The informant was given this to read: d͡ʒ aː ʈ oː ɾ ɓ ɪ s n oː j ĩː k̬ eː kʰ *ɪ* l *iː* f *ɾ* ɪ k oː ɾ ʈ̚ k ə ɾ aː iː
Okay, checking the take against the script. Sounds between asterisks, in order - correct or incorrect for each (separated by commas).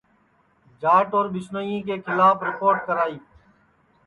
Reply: correct, incorrect, correct